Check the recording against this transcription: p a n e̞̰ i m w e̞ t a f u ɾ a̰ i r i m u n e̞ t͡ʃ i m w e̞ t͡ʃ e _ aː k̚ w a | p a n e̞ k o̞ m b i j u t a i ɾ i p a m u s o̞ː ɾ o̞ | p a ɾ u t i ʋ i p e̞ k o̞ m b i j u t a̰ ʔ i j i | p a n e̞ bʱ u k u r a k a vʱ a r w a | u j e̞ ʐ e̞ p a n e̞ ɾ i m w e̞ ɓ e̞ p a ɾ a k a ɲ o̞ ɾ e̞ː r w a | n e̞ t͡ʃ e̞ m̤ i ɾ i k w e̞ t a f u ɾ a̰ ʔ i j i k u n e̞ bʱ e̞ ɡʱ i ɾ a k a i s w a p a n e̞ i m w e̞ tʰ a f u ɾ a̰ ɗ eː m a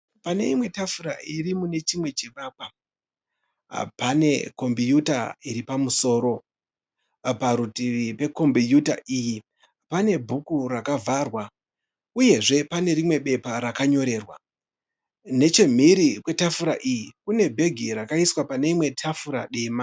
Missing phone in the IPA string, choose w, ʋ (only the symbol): ʋ